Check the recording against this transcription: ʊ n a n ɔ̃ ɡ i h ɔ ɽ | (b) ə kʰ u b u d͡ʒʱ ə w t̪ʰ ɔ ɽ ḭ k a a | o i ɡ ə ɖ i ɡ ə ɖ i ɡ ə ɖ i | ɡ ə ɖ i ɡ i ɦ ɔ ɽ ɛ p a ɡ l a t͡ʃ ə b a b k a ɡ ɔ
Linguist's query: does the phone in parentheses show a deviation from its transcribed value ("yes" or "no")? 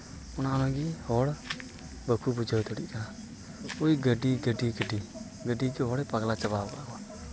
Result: no